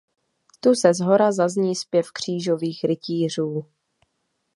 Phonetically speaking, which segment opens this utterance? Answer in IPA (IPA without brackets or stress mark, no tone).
t̪